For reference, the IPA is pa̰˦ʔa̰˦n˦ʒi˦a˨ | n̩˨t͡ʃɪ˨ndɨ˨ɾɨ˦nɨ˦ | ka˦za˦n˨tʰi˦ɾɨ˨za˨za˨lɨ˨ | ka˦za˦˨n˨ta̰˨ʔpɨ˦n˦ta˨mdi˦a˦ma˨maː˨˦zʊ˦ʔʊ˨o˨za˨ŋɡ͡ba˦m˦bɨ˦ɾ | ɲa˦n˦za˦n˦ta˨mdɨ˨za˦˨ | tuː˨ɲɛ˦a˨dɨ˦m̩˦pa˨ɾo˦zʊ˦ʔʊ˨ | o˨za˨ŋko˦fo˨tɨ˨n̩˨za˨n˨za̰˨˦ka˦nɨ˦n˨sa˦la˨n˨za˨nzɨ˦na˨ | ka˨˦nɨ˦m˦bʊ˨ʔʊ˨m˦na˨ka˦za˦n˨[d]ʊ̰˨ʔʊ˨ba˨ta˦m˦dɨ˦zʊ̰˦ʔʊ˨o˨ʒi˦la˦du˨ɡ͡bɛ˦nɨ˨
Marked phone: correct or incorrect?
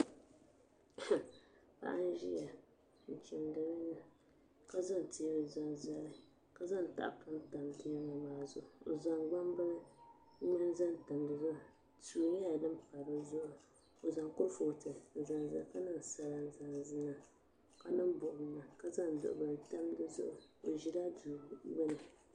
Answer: correct